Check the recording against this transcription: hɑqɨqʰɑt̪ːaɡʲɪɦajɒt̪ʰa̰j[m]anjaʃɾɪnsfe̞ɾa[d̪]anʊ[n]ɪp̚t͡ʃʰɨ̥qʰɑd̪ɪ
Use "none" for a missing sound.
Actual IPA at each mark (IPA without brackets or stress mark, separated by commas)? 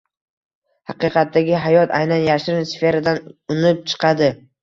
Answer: n, d̪, n